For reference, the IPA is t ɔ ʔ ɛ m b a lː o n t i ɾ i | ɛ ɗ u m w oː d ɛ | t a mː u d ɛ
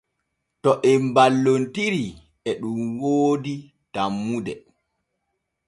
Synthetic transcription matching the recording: t ɔ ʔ ɛ m b a lː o n t i ɾ i | ɛ ɗ u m w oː d i | t a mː u d ɛ